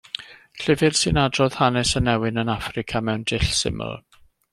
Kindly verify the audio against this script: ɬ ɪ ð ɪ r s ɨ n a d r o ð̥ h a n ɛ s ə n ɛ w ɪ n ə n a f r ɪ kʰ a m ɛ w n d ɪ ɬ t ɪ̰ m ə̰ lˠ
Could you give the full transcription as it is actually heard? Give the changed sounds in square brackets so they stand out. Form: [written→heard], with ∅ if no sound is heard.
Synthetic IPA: ɬ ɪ [ð→v] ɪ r s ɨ n a d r [o→ɔ] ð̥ h a n ɛ s ə n ɛ w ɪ n ə n a f r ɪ kʰ a m ɛ w n d ɪ ɬ [t→s] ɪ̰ m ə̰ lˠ